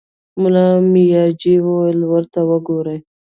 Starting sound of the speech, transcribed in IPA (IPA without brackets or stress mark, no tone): m